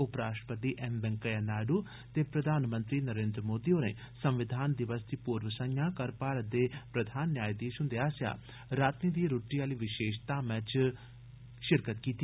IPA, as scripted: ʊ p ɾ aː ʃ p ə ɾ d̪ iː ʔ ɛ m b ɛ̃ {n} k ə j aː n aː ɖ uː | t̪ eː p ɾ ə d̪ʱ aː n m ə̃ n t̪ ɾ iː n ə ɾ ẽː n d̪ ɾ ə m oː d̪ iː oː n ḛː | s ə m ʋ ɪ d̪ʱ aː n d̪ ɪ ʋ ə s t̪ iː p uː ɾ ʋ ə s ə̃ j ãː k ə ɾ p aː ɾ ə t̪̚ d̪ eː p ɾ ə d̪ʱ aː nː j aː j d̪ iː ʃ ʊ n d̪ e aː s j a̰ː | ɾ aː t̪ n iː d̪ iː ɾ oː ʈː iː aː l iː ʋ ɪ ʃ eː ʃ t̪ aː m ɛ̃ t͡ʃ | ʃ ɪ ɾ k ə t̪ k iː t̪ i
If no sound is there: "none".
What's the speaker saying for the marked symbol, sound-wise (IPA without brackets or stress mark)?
ŋ